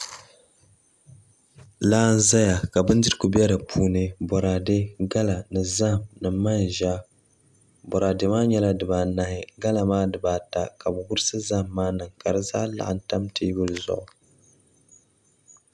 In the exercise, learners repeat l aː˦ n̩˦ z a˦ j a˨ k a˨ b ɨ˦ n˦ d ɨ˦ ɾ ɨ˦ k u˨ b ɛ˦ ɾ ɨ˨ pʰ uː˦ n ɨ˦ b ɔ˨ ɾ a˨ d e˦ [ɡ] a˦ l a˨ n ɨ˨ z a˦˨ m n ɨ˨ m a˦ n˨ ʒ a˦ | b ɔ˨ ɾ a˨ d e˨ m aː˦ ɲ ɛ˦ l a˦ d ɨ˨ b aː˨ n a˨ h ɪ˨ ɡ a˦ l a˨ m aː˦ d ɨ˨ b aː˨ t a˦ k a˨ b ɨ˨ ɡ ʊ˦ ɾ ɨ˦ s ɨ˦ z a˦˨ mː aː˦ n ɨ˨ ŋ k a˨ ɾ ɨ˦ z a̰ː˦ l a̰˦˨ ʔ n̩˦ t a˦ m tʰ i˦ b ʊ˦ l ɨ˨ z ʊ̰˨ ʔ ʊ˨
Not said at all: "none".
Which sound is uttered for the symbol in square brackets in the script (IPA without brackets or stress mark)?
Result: ɡ